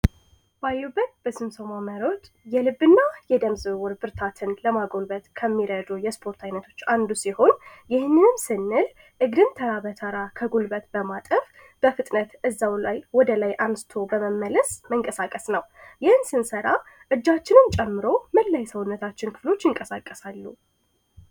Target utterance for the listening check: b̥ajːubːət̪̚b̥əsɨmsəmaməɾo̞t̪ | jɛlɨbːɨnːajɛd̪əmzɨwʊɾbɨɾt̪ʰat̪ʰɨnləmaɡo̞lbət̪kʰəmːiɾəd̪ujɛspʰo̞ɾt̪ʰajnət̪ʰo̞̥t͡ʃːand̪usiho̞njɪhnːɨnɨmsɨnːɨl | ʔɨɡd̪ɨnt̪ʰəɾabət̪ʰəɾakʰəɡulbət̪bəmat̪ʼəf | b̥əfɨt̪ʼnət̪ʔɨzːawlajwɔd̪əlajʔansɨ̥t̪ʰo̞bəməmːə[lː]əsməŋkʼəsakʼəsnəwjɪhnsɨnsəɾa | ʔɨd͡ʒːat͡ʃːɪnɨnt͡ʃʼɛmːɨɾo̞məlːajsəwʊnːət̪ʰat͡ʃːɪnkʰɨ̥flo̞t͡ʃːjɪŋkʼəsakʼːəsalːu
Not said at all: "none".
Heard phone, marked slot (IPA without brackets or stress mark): l